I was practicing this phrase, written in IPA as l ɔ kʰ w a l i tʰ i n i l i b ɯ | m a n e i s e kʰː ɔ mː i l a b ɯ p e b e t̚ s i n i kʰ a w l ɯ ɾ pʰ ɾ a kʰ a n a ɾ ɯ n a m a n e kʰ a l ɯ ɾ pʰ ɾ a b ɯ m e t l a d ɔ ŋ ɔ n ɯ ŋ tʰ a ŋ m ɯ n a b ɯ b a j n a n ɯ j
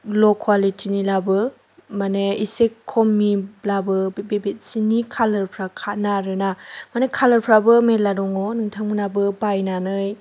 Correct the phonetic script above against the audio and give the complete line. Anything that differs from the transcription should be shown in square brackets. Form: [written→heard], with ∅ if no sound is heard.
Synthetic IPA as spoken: l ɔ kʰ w a l i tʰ i n i l [i→a] b ɯ | m a n e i s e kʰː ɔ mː i l a b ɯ [p→b] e b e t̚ s i n i kʰ a [w→∅] l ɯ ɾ pʰ ɾ a kʰ a n a ɾ ɯ n a m a n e kʰ a l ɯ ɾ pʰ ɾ a b ɯ m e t l a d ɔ ŋ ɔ n ɯ ŋ tʰ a ŋ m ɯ n a b ɯ b a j n a n ɯ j